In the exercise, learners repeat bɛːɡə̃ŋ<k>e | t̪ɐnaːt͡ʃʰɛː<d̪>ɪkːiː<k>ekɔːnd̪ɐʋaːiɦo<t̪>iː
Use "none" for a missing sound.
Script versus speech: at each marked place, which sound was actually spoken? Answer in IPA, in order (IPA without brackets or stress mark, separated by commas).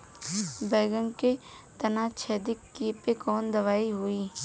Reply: k, d̪, p, none